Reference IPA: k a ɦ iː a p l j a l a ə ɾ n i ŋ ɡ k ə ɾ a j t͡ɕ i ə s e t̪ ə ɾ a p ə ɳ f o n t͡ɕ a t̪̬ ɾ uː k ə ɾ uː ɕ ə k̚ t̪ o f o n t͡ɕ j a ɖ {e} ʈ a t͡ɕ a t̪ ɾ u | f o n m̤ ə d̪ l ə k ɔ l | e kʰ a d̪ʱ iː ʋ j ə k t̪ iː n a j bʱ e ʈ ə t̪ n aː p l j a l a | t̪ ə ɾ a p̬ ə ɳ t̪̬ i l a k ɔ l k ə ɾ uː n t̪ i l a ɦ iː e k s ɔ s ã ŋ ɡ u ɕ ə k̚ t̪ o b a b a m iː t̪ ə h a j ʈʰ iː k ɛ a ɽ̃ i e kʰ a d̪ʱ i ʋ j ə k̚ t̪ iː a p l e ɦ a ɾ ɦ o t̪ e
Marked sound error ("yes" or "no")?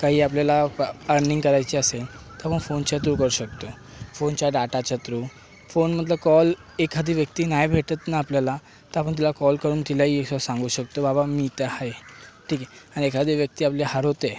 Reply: yes